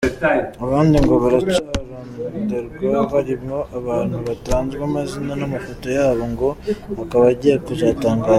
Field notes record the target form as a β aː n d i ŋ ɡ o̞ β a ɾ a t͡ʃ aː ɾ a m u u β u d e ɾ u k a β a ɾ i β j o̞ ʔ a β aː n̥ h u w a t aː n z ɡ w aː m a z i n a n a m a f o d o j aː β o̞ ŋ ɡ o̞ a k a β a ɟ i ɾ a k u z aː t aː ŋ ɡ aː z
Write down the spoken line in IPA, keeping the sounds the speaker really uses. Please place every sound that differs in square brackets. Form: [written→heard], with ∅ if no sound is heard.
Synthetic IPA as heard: a β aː n d i ŋ ɡ o̞ β a ɾ a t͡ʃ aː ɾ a m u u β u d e ɾ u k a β a ɾ i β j o̞ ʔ a β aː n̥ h u [w→β] a t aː n z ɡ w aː m a z i n a n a m a f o [d→t] o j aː β o̞ ŋ ɡ o̞ a k a β a ɟ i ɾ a k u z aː t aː ŋ ɡ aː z